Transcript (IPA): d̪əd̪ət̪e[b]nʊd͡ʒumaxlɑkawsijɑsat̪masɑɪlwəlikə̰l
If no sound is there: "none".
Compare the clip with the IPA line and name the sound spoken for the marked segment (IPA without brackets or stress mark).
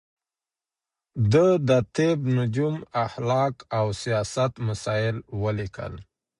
b